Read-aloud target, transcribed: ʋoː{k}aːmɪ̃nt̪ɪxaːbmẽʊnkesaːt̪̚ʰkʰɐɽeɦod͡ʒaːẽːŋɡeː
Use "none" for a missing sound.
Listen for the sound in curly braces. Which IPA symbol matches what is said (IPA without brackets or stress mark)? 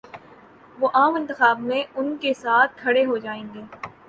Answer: ʔ